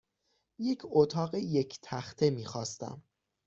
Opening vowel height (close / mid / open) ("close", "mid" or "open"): mid